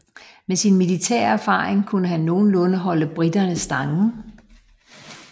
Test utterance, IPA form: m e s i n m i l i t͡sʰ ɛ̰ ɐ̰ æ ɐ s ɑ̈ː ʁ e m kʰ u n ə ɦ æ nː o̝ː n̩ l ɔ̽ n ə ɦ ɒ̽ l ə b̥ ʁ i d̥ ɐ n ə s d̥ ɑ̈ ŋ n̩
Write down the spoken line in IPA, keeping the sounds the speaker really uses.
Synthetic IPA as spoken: m e s i n m i l i t͡sʰ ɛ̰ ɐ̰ æ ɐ f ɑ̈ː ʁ e ŋ kʰ u n ə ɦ æ nː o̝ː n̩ l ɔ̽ n ə ɦ ɒ̽ l ə b̥ ʁ i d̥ ɐ n ə s d̥ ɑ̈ ŋ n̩